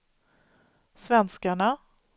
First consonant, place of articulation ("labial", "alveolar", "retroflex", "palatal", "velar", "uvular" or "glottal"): alveolar